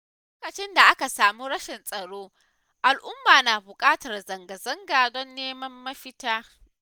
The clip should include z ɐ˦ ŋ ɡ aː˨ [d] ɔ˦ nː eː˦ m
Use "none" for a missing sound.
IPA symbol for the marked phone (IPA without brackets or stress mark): d